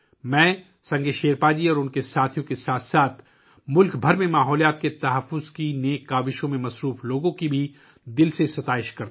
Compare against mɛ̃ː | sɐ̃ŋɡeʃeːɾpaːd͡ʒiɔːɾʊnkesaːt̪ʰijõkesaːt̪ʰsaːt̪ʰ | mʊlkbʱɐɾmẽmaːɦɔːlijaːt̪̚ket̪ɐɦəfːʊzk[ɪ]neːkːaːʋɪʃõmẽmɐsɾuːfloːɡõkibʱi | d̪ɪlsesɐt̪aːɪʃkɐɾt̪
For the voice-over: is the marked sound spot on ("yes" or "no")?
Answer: no